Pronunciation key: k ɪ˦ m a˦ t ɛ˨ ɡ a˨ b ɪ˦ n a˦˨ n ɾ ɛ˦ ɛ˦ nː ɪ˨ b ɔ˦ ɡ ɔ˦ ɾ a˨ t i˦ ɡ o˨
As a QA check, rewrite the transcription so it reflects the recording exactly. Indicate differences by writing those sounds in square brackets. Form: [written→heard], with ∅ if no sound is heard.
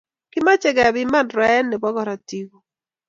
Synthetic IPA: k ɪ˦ m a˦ [t→t͡ʃ] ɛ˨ ɡ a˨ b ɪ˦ [n→m] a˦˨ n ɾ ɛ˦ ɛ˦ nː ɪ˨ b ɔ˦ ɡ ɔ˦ ɾ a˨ t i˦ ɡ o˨